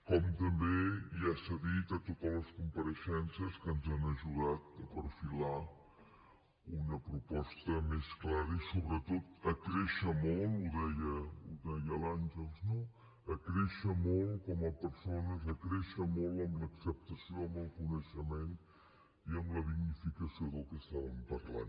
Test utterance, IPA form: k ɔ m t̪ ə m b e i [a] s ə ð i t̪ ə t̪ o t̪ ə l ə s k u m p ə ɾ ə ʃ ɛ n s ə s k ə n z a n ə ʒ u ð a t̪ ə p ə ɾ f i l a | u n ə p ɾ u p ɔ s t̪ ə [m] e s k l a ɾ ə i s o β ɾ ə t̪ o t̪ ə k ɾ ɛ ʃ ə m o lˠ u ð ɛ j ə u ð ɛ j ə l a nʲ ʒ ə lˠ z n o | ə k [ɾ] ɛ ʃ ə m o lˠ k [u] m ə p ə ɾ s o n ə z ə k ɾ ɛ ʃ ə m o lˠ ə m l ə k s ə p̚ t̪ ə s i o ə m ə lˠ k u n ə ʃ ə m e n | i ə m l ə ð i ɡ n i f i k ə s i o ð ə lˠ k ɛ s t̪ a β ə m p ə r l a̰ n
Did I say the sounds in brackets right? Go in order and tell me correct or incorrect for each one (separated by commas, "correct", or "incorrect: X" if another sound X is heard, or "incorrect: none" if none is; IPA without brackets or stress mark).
correct, correct, correct, incorrect: ɔ